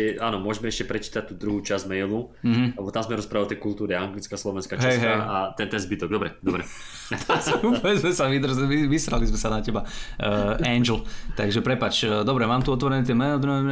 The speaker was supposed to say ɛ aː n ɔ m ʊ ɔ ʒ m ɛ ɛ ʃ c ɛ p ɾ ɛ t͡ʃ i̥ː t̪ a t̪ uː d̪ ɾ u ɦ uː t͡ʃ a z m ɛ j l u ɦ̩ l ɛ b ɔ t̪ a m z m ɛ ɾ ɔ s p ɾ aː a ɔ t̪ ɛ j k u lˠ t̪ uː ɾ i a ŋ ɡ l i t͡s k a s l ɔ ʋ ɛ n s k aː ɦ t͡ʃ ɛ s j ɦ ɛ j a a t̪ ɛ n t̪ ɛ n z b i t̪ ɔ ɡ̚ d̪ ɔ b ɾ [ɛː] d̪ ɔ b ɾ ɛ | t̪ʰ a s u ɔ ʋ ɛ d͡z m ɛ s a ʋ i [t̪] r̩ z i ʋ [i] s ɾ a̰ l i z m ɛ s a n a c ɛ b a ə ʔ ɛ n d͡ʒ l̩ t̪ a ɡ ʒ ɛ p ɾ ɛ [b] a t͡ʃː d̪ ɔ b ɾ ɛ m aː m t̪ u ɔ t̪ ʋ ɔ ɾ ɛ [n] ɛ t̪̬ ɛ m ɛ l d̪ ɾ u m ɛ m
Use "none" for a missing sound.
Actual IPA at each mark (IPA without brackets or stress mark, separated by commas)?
ɛ, d̪, i, p, n